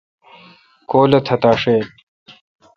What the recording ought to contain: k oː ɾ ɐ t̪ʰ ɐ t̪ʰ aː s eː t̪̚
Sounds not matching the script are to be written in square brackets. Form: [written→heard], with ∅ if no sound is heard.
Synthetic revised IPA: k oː [ɾ→l] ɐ t̪ʰ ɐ [t̪ʰ→t̪] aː [s→ʂ] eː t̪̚